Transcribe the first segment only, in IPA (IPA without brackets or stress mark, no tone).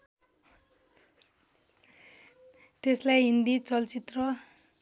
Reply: t̪